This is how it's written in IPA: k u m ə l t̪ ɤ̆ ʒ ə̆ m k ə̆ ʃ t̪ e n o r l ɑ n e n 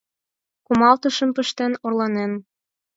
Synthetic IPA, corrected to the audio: k u m ɑ l t̪ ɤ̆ ʃ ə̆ m p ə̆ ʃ t̪ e n o r l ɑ n e n